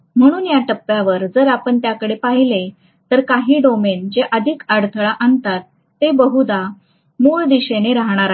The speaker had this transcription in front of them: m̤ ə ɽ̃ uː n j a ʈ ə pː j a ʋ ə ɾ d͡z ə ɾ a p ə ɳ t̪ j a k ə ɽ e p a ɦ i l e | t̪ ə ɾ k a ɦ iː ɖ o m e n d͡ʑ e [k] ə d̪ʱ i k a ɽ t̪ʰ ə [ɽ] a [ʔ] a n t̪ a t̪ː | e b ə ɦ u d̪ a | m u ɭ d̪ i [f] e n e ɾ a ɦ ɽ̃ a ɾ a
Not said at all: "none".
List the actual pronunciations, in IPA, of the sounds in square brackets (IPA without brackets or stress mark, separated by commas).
ʔ, ɭ, ʔ, ɕ